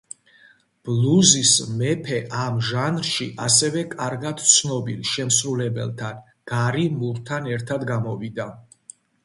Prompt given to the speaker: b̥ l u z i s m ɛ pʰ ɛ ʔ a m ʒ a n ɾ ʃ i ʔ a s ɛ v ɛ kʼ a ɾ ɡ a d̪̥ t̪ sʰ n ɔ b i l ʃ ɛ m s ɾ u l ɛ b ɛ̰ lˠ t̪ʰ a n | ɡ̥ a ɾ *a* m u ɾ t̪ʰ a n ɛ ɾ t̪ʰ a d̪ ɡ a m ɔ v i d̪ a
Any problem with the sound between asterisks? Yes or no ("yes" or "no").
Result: yes